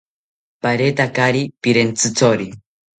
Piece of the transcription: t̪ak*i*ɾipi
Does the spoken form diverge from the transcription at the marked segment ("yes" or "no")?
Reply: yes